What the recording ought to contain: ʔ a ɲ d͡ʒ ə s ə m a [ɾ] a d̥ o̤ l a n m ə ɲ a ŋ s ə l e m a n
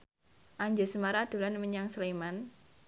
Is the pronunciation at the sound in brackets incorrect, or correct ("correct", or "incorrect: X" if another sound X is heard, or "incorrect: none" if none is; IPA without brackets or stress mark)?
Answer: correct